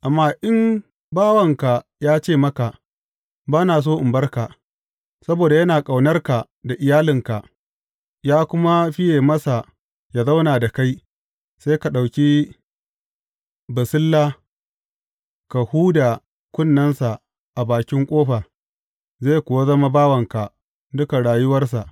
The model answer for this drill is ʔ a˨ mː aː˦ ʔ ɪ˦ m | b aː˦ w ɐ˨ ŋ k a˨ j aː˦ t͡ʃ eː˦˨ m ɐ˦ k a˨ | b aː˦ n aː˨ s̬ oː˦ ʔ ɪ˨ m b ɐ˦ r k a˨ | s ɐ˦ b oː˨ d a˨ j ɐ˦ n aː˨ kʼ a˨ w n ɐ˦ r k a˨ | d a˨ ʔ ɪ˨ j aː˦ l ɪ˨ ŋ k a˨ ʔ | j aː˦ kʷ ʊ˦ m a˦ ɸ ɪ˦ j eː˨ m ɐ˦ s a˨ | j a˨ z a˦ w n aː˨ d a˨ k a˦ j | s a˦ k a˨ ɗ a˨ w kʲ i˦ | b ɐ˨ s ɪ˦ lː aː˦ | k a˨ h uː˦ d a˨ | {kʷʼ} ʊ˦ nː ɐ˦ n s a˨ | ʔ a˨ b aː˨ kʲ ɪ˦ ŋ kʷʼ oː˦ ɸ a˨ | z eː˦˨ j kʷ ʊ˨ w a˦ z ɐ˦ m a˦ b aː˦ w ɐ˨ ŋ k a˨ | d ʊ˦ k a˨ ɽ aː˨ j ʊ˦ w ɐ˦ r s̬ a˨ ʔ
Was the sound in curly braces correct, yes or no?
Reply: no